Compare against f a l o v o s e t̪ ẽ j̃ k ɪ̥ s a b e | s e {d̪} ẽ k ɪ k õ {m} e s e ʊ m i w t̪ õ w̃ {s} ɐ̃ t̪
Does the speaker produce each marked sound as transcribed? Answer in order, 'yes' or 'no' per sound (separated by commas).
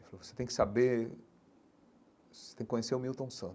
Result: no, no, yes